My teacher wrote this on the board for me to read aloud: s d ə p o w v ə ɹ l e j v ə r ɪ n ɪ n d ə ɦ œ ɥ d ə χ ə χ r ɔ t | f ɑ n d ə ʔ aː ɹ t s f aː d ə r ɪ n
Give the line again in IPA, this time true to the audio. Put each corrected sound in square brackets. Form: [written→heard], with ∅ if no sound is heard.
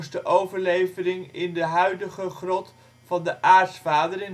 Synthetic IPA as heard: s d ə [p→ʔ] o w v ə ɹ l e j v ə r ɪ [n→ŋ] ɪ n d ə ɦ œ ɥ d ə χ ə χ r ɔ t | f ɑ n d ə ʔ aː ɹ t s f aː d ə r ɪ n